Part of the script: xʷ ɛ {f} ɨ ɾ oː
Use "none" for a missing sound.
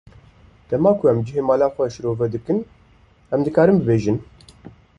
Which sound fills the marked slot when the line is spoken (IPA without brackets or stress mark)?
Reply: ʃ